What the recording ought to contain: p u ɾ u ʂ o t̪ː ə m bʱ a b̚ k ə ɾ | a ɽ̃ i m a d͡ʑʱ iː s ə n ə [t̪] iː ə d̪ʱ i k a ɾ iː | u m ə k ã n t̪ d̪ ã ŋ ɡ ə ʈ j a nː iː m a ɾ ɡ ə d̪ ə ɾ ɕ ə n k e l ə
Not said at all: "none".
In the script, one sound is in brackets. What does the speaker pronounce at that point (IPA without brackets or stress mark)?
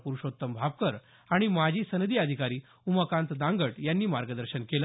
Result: d̪